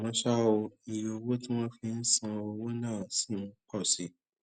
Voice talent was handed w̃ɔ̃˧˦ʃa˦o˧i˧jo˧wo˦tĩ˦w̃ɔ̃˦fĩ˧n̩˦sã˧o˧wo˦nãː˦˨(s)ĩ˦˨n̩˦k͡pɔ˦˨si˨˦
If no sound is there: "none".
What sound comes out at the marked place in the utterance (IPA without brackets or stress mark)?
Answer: s